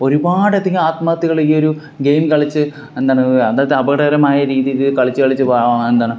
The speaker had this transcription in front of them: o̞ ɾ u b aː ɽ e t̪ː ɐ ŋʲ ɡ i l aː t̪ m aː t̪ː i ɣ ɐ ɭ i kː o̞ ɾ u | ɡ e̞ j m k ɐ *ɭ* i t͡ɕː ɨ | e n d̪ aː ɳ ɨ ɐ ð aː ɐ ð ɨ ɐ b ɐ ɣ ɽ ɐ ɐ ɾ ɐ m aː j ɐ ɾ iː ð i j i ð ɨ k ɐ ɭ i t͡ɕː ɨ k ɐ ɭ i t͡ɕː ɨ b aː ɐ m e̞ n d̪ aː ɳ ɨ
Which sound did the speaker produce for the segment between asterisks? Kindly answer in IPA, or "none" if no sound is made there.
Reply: ɭ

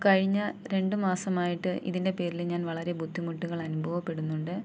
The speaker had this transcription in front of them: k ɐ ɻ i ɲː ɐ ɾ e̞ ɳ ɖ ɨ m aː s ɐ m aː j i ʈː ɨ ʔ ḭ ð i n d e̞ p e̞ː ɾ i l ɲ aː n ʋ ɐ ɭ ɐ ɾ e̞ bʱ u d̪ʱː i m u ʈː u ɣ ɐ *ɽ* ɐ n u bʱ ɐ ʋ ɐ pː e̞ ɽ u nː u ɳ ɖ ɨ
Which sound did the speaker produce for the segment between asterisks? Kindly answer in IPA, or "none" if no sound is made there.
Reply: ɭ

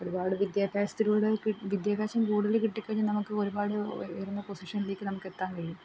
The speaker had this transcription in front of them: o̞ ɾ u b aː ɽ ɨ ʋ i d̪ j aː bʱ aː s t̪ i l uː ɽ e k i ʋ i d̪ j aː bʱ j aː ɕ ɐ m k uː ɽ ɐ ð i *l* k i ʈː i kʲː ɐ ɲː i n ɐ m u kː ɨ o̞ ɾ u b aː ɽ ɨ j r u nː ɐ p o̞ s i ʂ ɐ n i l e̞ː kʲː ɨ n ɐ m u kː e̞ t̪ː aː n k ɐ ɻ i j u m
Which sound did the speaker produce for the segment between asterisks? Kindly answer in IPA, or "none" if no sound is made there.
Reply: l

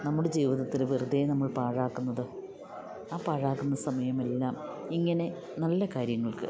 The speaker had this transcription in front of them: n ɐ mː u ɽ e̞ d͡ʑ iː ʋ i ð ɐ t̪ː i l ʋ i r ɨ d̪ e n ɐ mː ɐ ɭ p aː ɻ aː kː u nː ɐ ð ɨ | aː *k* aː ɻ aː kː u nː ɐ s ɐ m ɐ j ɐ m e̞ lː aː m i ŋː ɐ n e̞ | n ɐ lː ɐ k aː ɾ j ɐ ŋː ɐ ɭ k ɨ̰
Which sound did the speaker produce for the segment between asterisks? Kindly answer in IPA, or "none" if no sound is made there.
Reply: p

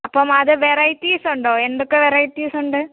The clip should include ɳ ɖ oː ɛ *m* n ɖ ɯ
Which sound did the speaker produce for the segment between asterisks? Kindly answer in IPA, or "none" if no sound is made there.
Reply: none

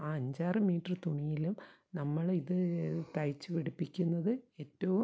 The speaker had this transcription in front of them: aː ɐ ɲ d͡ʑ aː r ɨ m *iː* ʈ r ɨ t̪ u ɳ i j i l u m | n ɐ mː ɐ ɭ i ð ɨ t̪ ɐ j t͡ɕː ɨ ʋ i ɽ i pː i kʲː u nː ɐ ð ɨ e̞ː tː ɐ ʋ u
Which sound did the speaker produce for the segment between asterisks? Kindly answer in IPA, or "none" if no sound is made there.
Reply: iː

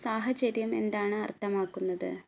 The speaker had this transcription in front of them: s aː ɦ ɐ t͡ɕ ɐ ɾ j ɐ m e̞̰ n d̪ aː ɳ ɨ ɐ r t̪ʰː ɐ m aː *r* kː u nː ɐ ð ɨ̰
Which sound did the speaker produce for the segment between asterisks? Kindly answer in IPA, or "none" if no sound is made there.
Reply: none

